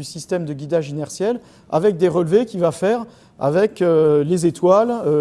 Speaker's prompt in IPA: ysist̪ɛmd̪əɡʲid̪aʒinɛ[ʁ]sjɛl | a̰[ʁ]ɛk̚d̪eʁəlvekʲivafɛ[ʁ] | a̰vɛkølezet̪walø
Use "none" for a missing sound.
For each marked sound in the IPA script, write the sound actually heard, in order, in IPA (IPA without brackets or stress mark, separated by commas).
ʁ, v, ʁ